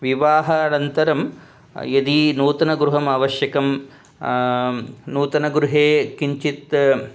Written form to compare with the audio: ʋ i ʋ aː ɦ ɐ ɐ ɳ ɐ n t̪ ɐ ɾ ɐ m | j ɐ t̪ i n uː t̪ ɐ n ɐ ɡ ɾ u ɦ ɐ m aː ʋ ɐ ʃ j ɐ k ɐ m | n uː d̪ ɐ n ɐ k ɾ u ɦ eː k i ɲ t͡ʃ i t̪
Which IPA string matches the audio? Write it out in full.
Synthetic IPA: ʋ i ʋ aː ɦ ɐ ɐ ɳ ɐ n t̪ ɐ ɾ ɐ m | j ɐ d̪ i n uː t̪ ɐ n ɐ ɡ ɾ u ɦ ɐ m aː ʋ ɐ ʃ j ɐ k ɐ m | n uː t̪ ɐ n ɐ ɡ ɾ u ɦ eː k i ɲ t͡ʃ i t̪